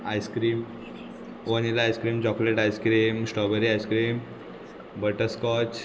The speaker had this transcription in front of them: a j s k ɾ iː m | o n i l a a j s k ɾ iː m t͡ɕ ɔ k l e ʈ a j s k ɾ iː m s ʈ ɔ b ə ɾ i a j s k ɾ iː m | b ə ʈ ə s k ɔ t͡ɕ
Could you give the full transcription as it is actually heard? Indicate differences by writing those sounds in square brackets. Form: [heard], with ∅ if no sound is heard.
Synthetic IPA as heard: a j s k ɾ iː m | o n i l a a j s k ɾ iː m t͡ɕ ɔ k l e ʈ a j s k ɾ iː m s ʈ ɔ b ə ɾ i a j s k ɾ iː m | b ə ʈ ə s k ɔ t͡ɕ

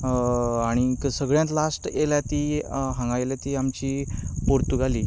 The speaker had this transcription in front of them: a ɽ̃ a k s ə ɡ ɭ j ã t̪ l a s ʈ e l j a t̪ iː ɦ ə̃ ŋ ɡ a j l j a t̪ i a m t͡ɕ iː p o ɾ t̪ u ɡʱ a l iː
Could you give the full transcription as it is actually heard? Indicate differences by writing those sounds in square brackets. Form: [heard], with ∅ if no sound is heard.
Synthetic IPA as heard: a ɽ̃ [i] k s ə ɡ ɭ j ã t̪ l a s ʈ e l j a t̪ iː ɦ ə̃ ŋ ɡ a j l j a t̪ i a m t͡ɕ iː p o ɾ t̪ u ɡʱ a l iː

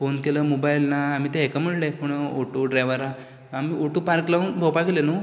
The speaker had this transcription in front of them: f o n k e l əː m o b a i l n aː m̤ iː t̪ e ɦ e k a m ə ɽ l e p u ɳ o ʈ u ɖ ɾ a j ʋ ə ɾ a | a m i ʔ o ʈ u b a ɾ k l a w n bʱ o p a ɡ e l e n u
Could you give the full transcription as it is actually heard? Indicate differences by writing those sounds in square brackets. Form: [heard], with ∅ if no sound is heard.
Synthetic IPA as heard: f o n k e l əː m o b a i l n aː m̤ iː t̪ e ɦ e k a m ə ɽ l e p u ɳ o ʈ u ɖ ɾ a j ʋ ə ɾ a | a m i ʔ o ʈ u [p] a ɾ k l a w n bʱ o p a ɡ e l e n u

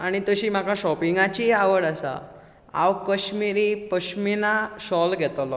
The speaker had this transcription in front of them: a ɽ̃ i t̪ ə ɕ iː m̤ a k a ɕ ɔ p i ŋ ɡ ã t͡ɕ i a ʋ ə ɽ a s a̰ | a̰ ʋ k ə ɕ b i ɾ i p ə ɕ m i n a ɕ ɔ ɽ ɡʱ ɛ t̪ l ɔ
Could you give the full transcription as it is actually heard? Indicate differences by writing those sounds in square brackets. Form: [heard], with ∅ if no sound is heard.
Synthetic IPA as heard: a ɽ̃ i t̪ ə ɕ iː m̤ a k a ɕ ɔ p i ŋ ɡ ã t͡ɕ i a ʋ ə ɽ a s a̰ | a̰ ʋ k ə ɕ [m] i ɾ i p ə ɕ m i n a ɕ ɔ [l] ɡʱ ɛ t̪ l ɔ

